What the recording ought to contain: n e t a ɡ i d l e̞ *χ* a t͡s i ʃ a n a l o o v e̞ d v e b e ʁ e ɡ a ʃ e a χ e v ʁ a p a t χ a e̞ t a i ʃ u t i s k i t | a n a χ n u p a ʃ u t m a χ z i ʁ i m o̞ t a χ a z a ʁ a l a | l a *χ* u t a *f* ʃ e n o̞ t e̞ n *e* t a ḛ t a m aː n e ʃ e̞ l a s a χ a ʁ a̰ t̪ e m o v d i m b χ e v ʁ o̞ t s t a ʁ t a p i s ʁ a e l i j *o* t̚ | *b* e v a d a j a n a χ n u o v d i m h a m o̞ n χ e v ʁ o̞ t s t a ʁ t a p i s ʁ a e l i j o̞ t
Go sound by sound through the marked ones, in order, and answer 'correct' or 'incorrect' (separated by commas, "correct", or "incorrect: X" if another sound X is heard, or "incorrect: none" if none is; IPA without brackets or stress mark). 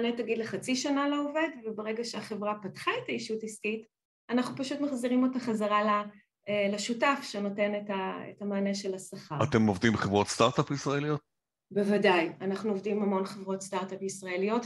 correct, incorrect: ʃ, correct, correct, correct, correct